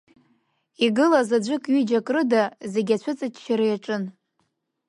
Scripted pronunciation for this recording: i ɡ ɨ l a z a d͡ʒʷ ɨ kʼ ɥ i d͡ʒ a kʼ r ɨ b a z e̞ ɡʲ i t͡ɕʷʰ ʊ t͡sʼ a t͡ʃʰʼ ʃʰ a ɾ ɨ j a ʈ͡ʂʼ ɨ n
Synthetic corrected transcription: i ɡ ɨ l a z a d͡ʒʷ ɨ kʼ ɥ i d͡ʒ a kʼ r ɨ d a z e̞ ɡʲ a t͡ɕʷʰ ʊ t͡sʼ a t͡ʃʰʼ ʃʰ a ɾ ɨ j a ʈ͡ʂʼ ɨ n